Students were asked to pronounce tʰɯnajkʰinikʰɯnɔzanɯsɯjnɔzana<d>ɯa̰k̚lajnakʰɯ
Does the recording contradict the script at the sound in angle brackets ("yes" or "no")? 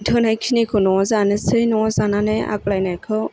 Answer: yes